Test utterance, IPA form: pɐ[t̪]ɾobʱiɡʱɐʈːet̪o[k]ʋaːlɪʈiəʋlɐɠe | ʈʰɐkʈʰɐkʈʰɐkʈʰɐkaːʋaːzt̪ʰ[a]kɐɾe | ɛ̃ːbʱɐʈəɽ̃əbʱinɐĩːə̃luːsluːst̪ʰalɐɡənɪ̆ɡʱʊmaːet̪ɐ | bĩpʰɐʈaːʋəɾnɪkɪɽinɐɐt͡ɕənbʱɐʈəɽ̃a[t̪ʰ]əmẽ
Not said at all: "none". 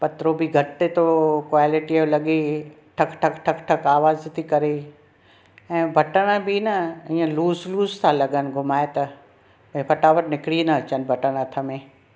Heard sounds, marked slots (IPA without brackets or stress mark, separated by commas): t̪, k, i, t̪ʰ